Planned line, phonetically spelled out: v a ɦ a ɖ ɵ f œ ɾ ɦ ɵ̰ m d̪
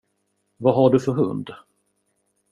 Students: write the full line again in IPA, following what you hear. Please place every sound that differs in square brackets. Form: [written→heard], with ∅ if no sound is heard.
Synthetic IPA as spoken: v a ɦ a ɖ ɵ f œ ɾ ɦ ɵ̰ [m→n] d̪